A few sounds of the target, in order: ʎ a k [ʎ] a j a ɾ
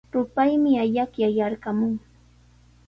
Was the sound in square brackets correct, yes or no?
no